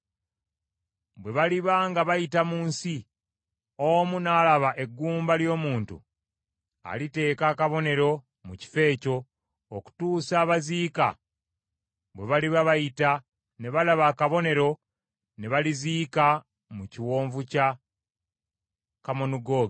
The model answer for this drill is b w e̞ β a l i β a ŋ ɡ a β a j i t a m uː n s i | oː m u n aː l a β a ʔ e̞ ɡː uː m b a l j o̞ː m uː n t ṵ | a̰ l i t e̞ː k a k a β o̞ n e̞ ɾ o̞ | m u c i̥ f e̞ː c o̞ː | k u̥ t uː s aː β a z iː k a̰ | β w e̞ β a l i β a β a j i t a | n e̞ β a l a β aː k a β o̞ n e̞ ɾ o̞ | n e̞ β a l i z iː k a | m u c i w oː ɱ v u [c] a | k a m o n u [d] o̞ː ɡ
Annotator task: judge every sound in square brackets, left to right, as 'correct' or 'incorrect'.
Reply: correct, incorrect: ɡ

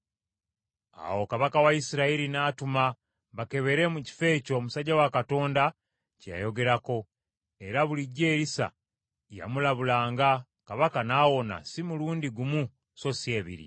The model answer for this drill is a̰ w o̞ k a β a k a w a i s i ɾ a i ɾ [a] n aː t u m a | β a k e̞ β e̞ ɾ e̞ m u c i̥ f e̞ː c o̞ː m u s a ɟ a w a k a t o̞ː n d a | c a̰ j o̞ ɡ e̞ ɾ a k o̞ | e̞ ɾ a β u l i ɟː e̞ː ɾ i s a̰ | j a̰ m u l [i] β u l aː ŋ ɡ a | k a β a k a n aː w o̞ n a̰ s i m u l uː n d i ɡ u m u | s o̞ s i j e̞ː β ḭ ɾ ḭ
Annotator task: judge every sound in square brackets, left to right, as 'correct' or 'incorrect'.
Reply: incorrect: i, incorrect: a

